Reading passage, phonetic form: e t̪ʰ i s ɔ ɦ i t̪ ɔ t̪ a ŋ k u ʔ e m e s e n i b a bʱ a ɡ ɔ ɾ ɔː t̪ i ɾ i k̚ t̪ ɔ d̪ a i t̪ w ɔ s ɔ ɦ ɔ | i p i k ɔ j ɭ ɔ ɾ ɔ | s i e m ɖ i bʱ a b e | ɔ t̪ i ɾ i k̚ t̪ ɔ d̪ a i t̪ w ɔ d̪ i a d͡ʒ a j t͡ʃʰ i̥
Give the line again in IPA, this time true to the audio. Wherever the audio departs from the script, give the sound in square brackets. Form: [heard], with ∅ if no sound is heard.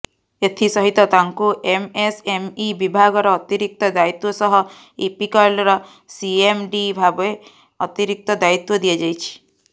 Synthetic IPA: e t̪ʰ i s ɔ ɦ i t̪ ɔ t̪ a ŋ k u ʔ e m e s e [m] i b [i] bʱ a ɡ ɔ ɾ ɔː t̪ i ɾ i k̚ t̪ ɔ d̪ a i t̪ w ɔ s ɔ ɦ ɔ | i p i k ɔ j [l] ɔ ɾ ɔ | s i e m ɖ i bʱ a b e | ɔ t̪ i ɾ i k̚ t̪ ɔ d̪ a i t̪ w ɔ d̪ i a d͡ʒ a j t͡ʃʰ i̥